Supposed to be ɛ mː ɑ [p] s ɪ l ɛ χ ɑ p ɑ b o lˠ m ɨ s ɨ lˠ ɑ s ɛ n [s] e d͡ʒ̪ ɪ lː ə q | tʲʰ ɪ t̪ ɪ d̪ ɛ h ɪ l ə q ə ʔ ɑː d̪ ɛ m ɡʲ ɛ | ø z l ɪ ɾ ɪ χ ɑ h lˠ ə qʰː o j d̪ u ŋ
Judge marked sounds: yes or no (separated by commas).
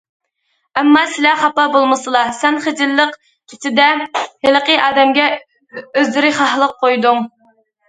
no, no